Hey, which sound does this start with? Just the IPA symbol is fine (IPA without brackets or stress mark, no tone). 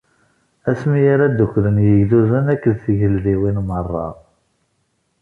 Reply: æ